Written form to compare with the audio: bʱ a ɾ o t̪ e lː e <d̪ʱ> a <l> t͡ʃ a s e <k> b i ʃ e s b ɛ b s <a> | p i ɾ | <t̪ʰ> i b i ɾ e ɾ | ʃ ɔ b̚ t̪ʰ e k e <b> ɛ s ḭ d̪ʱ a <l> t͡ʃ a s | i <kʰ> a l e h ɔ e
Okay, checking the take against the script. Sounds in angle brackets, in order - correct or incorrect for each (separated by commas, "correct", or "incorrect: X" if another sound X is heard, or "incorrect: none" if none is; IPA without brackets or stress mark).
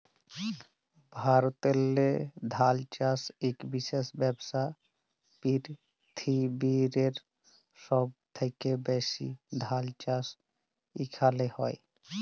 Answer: correct, correct, correct, correct, correct, correct, correct, correct